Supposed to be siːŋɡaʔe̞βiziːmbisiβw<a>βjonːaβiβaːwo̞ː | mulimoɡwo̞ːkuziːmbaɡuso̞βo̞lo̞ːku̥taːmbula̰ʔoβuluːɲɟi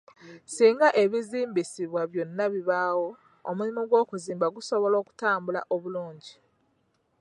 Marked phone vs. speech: correct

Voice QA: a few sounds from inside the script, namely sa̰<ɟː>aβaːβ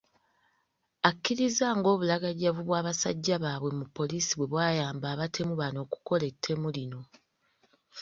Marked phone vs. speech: correct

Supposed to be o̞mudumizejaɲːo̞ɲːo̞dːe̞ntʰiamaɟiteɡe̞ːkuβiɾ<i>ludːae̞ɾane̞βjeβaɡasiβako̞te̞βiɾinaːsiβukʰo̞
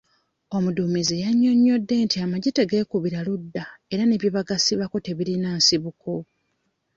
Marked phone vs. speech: incorrect: a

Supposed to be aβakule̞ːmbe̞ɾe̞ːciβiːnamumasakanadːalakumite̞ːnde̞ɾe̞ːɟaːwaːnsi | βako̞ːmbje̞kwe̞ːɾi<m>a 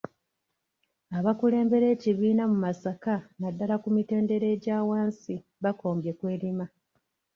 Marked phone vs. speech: correct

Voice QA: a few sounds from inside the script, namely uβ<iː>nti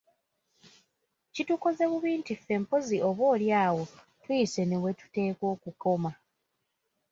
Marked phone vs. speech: correct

